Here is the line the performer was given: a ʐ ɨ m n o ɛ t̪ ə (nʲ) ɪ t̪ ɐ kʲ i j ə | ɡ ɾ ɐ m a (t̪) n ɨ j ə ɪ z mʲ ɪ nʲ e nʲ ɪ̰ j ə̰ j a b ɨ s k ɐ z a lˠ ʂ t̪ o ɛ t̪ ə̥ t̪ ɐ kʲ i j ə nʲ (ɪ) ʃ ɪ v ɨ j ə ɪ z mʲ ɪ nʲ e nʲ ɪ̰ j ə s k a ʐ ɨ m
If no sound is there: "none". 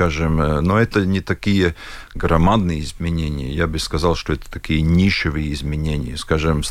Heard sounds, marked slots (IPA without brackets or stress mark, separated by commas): nʲ, d̪, i